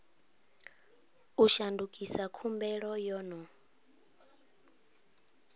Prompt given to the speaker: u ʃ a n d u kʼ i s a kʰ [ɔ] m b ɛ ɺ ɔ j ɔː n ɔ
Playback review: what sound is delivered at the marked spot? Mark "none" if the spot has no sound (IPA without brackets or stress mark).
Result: u